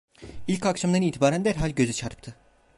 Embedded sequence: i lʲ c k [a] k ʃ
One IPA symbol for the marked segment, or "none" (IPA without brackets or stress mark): a